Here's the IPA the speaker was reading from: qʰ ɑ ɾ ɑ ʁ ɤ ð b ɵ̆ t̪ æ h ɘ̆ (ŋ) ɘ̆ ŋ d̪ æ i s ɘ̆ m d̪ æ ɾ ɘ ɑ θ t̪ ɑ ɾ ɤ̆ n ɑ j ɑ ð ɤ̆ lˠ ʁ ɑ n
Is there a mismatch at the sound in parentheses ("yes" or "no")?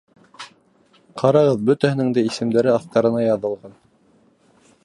yes